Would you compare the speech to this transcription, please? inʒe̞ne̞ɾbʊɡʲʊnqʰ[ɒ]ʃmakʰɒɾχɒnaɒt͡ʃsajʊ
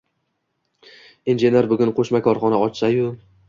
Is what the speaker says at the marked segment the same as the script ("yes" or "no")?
no